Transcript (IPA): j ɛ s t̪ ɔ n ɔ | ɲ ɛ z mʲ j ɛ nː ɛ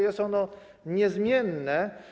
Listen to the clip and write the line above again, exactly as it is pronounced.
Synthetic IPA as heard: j ɛ s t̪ ɔ n ɔ | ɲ ɛ z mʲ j ɛ nː ɛ